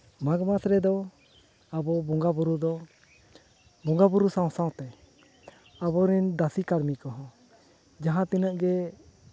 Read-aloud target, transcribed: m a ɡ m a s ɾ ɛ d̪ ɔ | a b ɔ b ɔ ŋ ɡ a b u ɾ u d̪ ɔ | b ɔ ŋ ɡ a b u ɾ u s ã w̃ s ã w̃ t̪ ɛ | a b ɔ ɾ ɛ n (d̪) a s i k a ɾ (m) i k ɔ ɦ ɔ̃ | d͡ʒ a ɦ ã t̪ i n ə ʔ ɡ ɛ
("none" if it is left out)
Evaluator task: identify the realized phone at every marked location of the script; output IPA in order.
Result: d̪, m

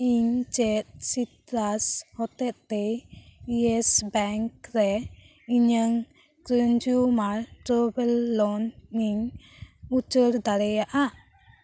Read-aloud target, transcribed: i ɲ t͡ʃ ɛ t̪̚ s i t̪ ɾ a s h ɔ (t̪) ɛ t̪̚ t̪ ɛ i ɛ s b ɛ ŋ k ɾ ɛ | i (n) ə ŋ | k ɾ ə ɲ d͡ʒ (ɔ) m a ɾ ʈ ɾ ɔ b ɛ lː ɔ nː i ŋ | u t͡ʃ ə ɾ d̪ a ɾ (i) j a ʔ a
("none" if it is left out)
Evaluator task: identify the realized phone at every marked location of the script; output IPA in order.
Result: t̪, ɲ, u, ɛ

